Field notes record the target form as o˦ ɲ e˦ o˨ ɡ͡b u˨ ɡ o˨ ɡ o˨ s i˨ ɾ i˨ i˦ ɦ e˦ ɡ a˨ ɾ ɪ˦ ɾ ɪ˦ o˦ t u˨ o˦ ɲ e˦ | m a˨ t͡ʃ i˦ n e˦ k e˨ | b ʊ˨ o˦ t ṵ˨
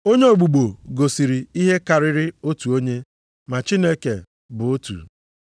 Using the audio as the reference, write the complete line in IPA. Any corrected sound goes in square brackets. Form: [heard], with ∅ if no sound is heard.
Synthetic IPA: o˦ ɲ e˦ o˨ ɡ͡b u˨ [ɡ͡b] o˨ ɡ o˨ s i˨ ɾ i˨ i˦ ɦ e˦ [k] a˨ ɾ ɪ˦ ɾ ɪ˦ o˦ t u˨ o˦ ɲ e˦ | m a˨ t͡ʃ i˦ n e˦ k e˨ | b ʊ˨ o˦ t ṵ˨